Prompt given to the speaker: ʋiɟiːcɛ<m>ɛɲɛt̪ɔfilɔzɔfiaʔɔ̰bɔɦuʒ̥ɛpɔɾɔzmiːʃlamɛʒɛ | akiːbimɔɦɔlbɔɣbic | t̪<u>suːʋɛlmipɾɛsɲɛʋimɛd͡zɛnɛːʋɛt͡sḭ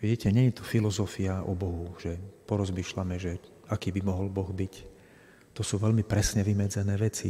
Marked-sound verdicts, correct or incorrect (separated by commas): incorrect, incorrect